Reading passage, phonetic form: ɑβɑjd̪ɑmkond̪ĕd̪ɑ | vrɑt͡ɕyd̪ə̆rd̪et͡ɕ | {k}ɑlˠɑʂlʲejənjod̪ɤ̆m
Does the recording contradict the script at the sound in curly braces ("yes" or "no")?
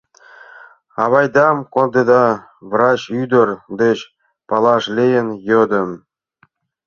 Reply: yes